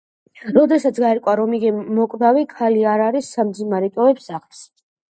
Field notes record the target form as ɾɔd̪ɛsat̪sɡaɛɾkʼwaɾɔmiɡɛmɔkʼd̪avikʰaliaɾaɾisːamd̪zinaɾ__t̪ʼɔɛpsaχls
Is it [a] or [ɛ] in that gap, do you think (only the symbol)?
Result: ɛ